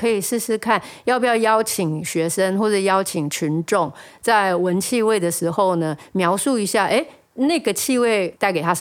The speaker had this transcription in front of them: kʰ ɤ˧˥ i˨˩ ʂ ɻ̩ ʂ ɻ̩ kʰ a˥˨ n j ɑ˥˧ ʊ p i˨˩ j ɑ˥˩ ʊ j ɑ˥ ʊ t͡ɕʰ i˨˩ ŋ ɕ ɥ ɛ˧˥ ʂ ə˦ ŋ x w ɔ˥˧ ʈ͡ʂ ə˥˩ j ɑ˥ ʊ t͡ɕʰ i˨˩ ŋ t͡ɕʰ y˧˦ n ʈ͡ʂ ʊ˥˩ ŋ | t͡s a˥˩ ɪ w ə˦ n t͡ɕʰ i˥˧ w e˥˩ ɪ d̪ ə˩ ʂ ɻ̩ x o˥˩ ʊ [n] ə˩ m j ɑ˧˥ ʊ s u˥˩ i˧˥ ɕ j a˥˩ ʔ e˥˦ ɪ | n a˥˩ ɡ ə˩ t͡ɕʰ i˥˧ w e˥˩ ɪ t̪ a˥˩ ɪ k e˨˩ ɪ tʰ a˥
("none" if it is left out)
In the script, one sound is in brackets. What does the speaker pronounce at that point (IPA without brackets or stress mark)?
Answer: n